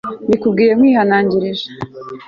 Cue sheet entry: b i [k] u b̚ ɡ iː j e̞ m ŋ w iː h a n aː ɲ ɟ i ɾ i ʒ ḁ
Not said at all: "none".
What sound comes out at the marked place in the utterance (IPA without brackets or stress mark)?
k